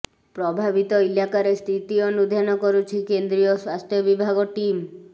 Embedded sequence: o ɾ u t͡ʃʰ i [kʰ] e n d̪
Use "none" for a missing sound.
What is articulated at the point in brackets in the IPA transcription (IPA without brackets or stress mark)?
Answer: k